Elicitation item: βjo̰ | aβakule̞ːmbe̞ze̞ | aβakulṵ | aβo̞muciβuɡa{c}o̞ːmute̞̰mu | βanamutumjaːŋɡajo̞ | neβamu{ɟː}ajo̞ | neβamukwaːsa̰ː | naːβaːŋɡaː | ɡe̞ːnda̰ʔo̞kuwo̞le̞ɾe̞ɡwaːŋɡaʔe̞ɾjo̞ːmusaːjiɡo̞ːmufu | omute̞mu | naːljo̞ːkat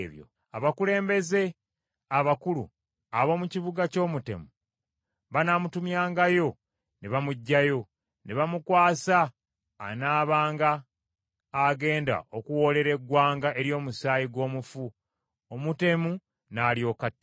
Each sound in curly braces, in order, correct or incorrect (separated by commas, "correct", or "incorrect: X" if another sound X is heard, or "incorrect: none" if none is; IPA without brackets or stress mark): correct, correct